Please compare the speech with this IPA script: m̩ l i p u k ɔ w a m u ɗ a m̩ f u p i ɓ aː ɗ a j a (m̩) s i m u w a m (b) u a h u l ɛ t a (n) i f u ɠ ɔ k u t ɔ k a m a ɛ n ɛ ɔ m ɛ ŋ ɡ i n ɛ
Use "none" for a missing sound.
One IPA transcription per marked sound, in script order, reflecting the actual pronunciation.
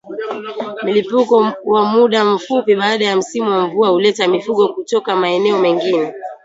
m̩, v, m

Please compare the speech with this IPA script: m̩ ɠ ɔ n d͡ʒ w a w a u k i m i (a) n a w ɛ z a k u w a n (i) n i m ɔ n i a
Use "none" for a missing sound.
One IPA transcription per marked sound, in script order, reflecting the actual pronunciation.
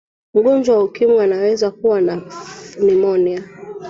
a, a

